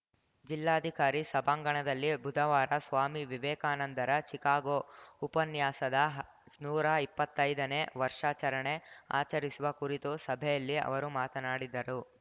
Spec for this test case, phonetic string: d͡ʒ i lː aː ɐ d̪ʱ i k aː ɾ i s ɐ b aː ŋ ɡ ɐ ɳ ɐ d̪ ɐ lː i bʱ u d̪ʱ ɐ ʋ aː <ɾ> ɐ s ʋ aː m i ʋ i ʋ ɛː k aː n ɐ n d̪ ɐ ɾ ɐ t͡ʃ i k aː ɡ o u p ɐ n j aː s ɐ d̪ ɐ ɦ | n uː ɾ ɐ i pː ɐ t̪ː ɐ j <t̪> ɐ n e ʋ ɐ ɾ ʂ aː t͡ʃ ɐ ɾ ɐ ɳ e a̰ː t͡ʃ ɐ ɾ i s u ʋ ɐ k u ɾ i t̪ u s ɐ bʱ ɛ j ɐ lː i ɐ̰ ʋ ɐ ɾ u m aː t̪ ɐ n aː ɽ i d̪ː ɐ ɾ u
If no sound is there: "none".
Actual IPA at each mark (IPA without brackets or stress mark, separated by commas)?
ɾ, d̪